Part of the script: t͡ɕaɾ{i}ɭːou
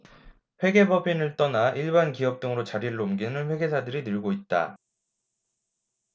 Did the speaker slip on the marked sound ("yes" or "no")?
no